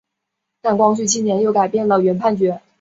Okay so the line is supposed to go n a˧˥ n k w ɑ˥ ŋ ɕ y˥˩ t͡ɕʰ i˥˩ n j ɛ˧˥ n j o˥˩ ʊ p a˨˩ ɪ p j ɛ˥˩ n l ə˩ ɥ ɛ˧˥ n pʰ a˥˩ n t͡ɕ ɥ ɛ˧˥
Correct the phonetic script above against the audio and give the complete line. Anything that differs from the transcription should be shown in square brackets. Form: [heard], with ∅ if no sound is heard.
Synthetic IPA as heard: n [a˥˩] n k w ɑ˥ ŋ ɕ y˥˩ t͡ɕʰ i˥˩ n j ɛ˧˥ n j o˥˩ ʊ [k] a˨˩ ɪ p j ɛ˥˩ n l ə˩ ɥ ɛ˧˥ n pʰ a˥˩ n t͡ɕ ɥ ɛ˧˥